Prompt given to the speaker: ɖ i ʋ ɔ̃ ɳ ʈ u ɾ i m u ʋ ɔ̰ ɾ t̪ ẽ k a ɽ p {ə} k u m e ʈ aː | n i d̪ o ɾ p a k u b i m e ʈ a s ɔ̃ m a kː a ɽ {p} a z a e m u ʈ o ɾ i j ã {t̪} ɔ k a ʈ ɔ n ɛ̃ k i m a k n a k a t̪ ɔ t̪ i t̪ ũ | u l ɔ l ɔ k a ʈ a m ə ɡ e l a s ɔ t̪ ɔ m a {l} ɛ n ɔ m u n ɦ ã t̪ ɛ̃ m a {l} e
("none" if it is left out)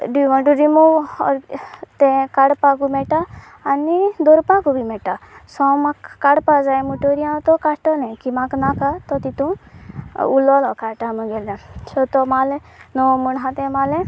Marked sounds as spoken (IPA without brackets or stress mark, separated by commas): a, p, t̪, l, l